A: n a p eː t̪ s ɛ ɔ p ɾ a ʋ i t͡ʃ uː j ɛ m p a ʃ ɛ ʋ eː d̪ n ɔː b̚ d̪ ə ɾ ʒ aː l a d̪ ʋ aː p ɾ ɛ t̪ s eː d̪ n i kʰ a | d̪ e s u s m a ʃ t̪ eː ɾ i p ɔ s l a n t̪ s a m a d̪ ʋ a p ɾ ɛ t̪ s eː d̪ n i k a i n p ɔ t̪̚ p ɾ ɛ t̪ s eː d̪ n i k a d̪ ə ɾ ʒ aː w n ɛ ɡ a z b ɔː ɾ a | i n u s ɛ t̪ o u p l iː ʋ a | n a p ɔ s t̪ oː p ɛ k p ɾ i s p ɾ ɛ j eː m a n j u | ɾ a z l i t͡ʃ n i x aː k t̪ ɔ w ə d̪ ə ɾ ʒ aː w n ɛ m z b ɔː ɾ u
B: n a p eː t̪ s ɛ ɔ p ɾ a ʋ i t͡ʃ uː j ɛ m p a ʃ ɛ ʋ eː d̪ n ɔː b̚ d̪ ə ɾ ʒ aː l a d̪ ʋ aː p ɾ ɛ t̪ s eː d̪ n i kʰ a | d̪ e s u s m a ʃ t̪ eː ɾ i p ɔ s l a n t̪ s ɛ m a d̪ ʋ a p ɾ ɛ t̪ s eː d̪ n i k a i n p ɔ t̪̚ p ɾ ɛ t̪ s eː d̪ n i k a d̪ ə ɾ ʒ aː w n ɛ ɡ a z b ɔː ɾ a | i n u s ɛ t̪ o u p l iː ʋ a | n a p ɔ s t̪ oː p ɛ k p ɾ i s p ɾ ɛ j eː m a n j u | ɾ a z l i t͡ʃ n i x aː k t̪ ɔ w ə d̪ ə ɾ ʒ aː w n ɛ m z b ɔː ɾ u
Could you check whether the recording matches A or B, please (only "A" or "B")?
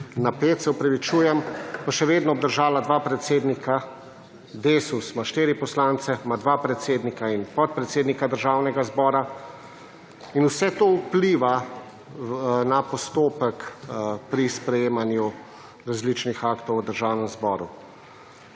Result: B